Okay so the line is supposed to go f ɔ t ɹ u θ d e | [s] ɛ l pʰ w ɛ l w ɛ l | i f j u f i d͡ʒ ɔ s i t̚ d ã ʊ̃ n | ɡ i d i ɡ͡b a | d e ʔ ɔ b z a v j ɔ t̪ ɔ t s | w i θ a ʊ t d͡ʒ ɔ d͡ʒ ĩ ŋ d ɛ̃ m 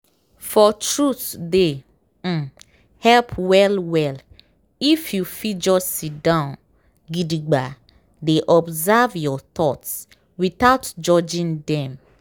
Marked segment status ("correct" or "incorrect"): incorrect